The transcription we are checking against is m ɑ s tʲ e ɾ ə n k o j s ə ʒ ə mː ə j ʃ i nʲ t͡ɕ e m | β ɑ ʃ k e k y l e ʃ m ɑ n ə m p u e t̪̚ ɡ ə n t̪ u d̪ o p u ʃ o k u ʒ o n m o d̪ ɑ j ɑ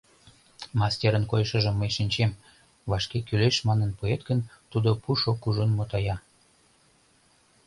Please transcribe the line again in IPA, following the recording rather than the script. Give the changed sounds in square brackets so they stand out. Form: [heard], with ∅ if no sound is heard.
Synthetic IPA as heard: m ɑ s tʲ e ɾ ə n k o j [ʃ] ə ʒ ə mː ə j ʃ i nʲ t͡ɕ e m | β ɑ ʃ k e k y l e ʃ m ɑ n ə [n] p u e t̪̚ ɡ ə n t̪ u d̪ o p u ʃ o k u ʒ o n m o [t̪] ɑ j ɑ